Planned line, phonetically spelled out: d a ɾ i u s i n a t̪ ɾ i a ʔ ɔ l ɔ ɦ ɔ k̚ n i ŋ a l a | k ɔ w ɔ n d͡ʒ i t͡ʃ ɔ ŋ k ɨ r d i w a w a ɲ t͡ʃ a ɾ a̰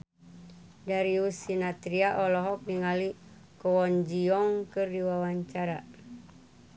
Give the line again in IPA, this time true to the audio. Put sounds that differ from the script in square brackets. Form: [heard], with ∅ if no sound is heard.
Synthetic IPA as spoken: d a ɾ i u s i n a t̪ ɾ i a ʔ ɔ l ɔ ɦ ɔ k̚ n i ŋ a l [i] | k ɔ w ɔ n d͡ʒ i [∅] ɔ ŋ k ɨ r d i w a w a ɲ t͡ʃ a ɾ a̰